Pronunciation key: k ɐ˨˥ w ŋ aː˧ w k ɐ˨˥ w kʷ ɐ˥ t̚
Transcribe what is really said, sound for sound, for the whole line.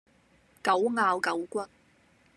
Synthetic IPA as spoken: k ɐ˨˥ w ŋ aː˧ w k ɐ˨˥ w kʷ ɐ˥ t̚